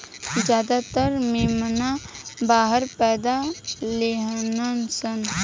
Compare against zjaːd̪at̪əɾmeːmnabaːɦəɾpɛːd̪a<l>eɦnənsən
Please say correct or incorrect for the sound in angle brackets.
correct